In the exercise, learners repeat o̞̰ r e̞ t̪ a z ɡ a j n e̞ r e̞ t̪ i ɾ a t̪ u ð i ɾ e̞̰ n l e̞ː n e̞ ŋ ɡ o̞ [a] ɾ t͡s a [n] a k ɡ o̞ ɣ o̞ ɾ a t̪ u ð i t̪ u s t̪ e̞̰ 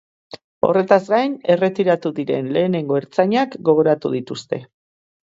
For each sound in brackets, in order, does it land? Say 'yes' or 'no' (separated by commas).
no, no